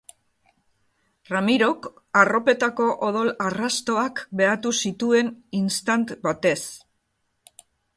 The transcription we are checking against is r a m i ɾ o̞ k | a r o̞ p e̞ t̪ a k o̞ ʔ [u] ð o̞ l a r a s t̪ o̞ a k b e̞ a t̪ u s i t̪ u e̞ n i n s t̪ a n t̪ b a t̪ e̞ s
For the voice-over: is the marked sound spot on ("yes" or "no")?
no